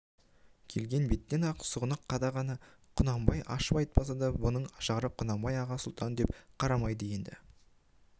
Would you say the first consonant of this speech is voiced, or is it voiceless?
voiceless